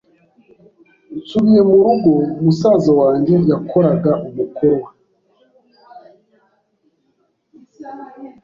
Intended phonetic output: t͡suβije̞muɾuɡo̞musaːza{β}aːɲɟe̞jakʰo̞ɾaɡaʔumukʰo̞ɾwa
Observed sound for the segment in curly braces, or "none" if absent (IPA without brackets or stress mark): w